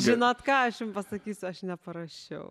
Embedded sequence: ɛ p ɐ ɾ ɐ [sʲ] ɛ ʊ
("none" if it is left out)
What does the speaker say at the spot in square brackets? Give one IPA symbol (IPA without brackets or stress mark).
ʃʲ